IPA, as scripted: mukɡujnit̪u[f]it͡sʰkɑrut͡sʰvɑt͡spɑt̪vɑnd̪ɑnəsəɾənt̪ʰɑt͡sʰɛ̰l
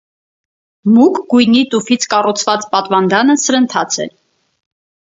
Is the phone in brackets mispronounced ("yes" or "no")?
no